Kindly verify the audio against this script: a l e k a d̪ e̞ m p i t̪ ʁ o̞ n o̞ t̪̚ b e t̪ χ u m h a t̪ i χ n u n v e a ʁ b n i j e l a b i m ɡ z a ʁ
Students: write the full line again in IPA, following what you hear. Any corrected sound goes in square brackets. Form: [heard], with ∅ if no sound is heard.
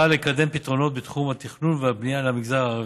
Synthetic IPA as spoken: a l e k a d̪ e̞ m p i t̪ ʁ o̞ n o̞ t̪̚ b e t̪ χ u m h a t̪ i χ n u n v e a [∅] b n i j [a] l a [m] i [∅] ɡ z a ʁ